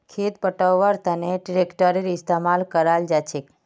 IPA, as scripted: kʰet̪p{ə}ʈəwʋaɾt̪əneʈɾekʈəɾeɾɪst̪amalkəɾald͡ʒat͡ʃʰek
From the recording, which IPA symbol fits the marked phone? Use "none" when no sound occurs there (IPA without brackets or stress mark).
ə